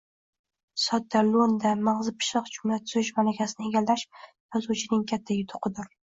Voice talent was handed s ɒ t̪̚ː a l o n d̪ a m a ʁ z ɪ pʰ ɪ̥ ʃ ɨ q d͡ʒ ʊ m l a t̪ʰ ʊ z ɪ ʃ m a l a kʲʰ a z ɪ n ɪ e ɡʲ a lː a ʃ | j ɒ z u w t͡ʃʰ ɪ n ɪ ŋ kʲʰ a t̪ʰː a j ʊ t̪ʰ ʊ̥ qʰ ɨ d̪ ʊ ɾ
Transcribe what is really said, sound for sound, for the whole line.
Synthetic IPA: s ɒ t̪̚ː a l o n d̪ a m a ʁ z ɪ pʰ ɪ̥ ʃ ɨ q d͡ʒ ʊ m l a t̪ʰ ʊ z ɪ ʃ m a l a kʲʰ a s ɪ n ɪ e ɡʲ a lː a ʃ | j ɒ z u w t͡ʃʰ ɪ n ɪ ŋ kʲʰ a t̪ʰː a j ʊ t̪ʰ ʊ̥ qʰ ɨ d̪ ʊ ɾ